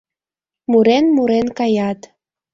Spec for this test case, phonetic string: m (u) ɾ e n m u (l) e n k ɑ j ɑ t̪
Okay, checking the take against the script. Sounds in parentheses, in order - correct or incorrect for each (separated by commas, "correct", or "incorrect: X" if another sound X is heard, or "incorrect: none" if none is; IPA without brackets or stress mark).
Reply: correct, incorrect: ɾ